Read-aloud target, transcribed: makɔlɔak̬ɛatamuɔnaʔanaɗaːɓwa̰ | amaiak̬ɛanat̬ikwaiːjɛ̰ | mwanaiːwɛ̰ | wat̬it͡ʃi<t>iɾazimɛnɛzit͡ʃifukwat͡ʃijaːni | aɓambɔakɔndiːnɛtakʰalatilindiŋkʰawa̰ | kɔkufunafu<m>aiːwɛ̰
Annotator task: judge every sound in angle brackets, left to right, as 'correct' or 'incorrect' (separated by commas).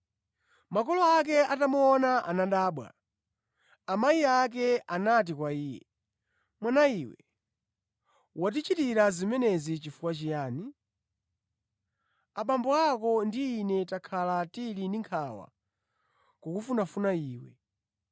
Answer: correct, incorrect